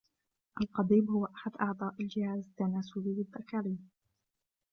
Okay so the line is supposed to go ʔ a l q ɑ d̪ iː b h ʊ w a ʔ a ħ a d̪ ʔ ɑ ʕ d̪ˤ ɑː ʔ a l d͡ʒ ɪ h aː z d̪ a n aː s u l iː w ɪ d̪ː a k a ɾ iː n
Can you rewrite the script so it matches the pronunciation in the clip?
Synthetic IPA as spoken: ʔ a l q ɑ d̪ iː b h ʊ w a ʔ a ħ a d̪ ʔ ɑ ʕ d̪ˤ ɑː ʔ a l d͡ʒ ɪ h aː z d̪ a n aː s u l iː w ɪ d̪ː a k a ɾ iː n